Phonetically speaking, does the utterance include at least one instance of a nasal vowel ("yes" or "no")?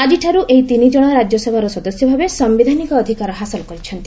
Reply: no